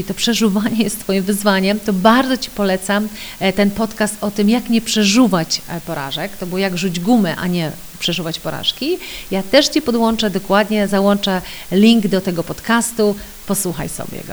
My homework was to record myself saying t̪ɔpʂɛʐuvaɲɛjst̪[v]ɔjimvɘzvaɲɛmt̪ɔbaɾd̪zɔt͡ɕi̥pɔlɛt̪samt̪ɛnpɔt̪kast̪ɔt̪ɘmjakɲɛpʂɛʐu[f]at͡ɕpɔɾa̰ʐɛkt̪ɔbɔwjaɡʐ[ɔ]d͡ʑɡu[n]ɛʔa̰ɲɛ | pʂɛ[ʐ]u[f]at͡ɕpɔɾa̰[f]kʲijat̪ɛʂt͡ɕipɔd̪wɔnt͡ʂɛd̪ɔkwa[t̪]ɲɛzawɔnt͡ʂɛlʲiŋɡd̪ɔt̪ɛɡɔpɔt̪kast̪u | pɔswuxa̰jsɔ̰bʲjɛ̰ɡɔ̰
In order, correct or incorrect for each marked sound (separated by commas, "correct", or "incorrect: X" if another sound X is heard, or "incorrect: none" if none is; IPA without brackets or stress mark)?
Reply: incorrect: f, incorrect: v, incorrect: u, incorrect: m, correct, incorrect: v, incorrect: ʂ, incorrect: d̪